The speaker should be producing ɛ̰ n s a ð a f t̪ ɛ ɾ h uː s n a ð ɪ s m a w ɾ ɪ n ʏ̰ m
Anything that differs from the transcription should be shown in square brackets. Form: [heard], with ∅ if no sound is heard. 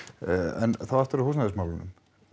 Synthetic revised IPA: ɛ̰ n [θ] a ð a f t̪ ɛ ɾ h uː s n a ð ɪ s m a w [l] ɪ n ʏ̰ m